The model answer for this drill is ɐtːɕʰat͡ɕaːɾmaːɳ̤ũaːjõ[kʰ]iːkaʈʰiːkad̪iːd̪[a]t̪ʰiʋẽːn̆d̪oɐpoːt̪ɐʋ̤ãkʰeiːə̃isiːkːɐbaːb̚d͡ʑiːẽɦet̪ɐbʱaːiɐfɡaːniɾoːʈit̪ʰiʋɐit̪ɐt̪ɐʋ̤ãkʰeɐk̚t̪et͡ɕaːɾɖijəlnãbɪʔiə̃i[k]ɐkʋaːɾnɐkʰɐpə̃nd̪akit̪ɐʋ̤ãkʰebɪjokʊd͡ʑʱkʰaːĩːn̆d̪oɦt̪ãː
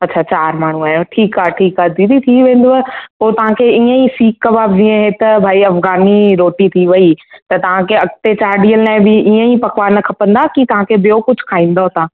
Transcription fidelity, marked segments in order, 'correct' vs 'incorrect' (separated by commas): incorrect, incorrect, incorrect